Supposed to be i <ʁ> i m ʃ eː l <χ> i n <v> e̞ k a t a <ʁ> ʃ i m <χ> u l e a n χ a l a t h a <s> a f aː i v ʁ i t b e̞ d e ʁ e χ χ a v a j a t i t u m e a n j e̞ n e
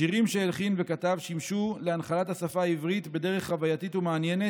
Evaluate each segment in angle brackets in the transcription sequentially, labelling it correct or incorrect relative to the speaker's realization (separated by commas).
correct, correct, correct, incorrect, incorrect, correct